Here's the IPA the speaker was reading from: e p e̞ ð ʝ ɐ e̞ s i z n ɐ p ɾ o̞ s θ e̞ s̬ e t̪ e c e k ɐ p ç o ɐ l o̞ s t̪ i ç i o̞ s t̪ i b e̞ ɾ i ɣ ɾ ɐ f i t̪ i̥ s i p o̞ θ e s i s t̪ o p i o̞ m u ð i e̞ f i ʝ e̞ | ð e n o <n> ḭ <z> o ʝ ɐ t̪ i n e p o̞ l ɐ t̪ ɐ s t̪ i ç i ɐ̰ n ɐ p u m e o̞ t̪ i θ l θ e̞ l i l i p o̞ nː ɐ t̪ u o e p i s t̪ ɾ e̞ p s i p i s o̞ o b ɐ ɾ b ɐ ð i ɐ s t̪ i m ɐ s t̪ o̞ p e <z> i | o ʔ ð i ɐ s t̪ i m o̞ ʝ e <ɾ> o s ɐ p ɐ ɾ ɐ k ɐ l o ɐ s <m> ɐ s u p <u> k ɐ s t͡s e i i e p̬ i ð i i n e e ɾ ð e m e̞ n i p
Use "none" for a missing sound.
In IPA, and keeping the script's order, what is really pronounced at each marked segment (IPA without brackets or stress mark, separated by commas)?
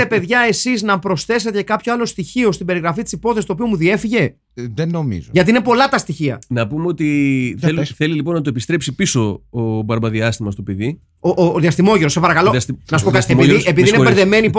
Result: m, z, ð, ɾ, n, o